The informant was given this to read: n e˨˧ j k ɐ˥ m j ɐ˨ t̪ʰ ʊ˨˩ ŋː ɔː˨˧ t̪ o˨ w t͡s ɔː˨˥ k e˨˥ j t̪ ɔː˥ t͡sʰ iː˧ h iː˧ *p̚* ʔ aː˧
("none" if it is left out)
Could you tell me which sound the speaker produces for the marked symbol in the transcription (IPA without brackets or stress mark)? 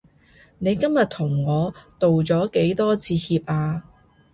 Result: p̚